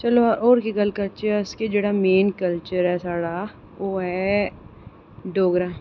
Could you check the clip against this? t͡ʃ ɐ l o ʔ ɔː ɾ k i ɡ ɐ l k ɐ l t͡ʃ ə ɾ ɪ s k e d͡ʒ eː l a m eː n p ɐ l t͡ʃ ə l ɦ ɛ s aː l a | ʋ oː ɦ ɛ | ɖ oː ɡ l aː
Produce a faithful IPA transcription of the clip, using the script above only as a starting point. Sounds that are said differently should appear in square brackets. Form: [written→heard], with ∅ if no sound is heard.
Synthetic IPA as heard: t͡ʃ ɐ l o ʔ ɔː ɾ k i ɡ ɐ l k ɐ l t͡ʃ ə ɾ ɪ s k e d͡ʒ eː [l→ɽ] a m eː n [p→k] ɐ l t͡ʃ ə [l→ɾ] ɦ ɛ s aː [l→ɽ] a | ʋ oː ɦ ɛ | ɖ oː ɡ [l→ɾ] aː